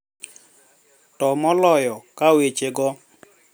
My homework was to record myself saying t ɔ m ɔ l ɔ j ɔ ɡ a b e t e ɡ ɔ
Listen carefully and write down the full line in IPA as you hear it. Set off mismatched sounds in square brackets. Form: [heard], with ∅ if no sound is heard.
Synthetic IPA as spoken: t ɔ m ɔ l ɔ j ɔ [k] a [w] e [t͡ʃ] e ɡ ɔ